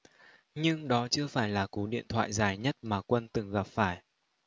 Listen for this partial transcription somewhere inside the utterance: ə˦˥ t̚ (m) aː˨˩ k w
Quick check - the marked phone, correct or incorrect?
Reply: correct